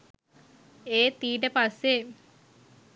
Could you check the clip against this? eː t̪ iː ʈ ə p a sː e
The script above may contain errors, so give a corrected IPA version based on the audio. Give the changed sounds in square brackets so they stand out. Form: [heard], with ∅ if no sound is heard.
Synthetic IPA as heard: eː t̪ iː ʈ ə p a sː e